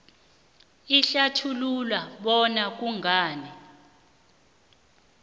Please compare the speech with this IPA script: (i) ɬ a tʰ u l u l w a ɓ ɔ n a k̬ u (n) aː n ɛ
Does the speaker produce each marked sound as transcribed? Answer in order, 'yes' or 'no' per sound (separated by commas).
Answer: yes, no